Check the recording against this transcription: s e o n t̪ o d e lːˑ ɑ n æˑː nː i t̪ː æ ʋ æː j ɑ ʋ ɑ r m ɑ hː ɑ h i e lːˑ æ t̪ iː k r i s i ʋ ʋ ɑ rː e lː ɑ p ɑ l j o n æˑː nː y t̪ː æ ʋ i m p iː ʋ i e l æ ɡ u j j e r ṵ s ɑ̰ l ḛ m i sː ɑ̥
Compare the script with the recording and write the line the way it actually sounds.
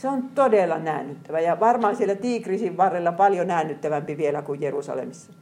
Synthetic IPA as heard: s e o n t̪ o d e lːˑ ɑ n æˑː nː y t̪ː æ ʋ æ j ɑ ʋ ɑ r m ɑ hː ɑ s i e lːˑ æ t̪ iː k r i s i ʋ ʋ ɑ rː e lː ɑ p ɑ l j o n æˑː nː y t̪ː æ ʋ æ m p i ʋ i e l æ k u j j e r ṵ s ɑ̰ l ḛ m i sː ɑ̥